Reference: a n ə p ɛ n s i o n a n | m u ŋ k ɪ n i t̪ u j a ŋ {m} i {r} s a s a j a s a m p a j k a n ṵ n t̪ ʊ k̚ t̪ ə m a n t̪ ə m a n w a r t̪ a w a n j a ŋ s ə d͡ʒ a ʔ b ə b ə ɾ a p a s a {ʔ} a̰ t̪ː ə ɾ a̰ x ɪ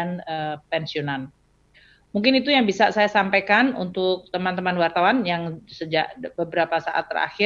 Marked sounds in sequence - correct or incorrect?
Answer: incorrect, incorrect, correct

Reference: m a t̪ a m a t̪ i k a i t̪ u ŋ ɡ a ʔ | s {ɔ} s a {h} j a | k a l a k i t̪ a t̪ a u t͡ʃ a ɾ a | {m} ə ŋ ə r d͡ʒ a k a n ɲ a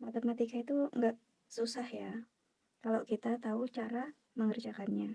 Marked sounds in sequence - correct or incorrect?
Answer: incorrect, correct, correct

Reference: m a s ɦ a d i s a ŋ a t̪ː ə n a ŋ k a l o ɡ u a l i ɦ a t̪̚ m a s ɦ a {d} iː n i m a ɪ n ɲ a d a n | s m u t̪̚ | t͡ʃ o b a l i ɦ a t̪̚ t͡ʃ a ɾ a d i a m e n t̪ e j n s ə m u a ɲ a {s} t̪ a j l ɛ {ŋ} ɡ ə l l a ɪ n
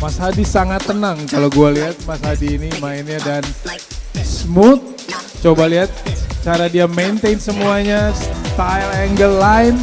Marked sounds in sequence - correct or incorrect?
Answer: correct, correct, correct

